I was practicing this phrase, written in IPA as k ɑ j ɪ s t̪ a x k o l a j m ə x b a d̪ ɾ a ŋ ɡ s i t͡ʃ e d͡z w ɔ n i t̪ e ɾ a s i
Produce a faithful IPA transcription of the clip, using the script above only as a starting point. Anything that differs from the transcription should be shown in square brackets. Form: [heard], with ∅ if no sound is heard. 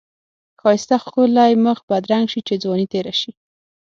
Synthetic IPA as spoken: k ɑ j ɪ s t̪ a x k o l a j m ə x b a d̪ ɾ a ŋ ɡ [ʃ] i t͡ʃ e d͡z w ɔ n i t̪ e ɾ a [ʃ] i